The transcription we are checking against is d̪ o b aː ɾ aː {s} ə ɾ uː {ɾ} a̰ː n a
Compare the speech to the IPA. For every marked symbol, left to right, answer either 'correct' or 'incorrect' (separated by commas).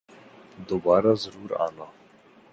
incorrect, correct